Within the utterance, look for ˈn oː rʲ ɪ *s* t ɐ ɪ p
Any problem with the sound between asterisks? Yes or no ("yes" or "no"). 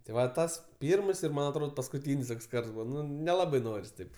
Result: no